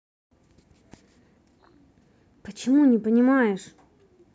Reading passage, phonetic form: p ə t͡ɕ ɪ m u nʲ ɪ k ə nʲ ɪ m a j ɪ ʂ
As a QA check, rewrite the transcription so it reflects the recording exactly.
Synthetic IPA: p ə t͡ɕ ɪ m u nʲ ɪ p ə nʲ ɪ m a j ɪ ʂ